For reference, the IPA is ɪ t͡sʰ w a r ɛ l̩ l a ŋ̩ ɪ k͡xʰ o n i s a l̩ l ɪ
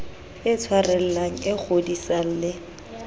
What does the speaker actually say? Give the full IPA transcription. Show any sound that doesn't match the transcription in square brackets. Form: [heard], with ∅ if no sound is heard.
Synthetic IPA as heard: ɪ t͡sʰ w a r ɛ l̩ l a ŋ̩ ɪ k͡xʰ o [d] i s a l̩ l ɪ